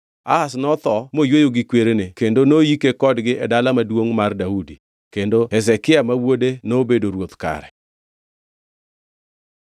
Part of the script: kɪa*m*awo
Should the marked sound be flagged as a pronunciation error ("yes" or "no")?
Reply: no